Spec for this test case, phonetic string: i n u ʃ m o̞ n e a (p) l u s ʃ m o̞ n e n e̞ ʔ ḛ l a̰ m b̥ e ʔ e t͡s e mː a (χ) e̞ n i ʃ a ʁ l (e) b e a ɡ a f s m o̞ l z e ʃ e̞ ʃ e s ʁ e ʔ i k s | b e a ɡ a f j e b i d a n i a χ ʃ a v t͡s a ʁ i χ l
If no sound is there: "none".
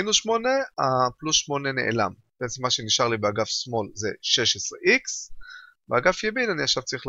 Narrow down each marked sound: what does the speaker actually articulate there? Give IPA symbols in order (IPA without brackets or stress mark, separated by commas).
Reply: p, ʃ, i